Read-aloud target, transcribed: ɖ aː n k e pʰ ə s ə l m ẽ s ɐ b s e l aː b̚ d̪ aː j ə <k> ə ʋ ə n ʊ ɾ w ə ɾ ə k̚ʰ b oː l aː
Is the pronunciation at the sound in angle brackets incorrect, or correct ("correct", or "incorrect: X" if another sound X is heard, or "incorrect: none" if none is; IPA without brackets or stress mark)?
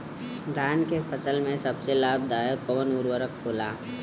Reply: correct